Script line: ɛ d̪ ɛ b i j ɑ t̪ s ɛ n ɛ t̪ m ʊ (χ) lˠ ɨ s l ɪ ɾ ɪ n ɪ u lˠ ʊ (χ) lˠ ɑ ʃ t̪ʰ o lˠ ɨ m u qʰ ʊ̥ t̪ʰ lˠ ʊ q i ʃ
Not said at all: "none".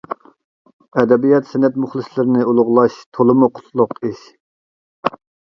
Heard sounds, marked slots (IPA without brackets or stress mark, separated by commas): χ, ʁ